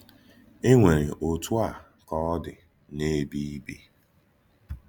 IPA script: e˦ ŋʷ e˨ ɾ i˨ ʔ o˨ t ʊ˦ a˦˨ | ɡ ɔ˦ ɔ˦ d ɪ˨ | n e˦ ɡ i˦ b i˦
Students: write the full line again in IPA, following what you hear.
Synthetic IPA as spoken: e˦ ŋʷ e˨ ɾ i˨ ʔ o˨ t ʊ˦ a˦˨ | k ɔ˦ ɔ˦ d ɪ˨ | n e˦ b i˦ b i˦